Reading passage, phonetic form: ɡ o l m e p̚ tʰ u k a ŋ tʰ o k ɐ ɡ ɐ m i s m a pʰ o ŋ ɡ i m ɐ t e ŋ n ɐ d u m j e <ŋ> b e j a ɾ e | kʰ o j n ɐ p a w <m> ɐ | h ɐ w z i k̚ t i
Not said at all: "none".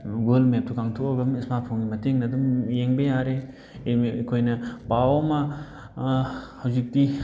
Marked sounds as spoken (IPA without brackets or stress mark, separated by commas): ŋ, m